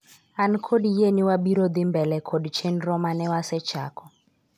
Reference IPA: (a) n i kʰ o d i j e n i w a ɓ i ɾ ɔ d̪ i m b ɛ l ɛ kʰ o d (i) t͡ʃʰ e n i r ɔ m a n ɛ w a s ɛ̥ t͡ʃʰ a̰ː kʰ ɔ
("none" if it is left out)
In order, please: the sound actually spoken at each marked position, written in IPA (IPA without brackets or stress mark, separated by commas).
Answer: a, i